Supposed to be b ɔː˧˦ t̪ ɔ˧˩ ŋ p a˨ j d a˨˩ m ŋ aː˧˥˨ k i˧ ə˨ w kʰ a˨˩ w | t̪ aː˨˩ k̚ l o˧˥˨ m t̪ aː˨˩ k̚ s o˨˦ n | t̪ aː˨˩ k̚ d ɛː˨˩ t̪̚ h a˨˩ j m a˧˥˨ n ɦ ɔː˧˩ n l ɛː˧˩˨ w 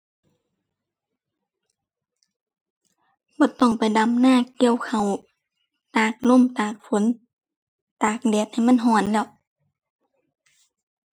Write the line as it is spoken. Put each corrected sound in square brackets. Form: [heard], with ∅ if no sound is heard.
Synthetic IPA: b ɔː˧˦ t̪ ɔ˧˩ ŋ p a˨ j d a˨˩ m [n] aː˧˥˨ k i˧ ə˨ w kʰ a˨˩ w | t̪ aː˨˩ k̚ l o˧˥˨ m t̪ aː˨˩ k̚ [f] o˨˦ n | t̪ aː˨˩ k̚ d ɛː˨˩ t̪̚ h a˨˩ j m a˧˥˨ n ɦ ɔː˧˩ n l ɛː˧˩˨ w